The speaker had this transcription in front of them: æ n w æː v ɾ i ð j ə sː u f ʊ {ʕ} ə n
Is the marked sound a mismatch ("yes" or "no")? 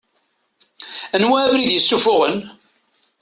yes